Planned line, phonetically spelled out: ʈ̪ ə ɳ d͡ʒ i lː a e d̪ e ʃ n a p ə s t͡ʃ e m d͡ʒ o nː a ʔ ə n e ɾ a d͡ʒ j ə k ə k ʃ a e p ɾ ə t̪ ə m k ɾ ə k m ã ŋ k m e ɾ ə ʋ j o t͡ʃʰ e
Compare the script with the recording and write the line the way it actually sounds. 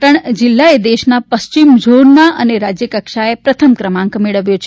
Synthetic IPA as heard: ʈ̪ ə ɳ d͡ʒ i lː a e d̪ e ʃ n a p ə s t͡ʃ i m d͡ʒ o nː a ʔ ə n e ɾ a d͡ʒ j ə k ə k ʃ a e p ɾ ə t̪ʰ ə m k ɾ ə m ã ŋ k m e ɭ ə ʋ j o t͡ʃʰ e